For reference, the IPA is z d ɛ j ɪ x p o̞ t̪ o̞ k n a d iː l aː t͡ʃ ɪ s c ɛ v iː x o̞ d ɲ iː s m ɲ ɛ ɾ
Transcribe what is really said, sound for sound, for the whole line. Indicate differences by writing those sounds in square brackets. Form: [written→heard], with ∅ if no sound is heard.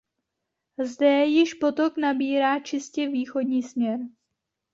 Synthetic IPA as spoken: z d ɛ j ɪ [x→ʃ] p o̞ t̪ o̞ k n a [d→b] iː [l→ɾ] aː t͡ʃ ɪ s c ɛ v iː x o̞ d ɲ iː s m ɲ ɛ ɾ